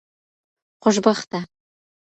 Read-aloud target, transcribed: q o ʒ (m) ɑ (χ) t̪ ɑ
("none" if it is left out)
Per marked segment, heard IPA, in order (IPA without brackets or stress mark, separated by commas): b, χ